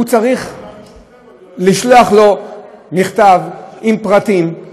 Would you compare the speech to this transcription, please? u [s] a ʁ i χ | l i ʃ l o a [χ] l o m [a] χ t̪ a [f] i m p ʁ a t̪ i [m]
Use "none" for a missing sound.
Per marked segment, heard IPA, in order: t͡s, χ, i, v, m

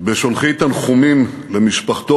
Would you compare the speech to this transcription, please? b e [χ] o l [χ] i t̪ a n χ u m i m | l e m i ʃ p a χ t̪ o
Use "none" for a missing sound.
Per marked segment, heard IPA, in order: ʃ, χ

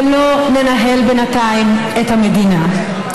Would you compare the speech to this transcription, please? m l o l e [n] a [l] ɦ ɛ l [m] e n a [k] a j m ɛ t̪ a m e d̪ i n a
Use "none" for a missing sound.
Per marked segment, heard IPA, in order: n, none, b, t

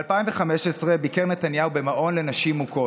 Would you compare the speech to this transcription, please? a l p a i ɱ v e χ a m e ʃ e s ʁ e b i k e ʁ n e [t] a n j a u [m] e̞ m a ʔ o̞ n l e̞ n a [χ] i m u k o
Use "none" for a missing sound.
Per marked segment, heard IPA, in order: t, b, ʃ

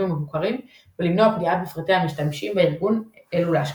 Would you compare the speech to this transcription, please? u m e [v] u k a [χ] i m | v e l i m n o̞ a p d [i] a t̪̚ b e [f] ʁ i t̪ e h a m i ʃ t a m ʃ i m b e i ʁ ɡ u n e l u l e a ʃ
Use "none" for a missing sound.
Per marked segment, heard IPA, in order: v, ʁ, i, f

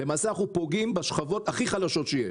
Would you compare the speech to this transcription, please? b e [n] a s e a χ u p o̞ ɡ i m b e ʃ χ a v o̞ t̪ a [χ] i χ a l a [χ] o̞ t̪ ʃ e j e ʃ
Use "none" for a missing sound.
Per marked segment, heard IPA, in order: m, χ, ʃ

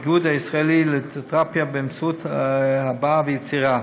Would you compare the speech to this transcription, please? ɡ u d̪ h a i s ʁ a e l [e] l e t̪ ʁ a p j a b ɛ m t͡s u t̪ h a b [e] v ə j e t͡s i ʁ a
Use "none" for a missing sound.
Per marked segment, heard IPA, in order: i, a

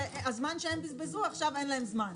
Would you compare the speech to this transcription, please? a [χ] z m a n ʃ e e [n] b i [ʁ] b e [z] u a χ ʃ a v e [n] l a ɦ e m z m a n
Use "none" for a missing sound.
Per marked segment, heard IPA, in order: none, m, z, z, n

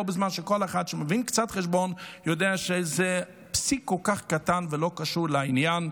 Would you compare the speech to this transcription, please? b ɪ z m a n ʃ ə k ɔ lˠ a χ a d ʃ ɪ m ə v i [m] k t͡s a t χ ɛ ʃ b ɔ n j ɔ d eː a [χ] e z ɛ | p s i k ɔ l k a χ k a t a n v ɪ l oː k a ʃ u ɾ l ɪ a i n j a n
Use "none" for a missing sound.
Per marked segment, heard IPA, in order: n, ʃ

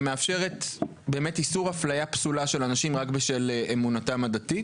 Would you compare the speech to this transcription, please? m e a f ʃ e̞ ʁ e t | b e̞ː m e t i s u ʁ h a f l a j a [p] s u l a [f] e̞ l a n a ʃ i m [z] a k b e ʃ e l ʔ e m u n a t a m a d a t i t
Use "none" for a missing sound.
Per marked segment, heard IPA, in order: p, ʃ, ʁ

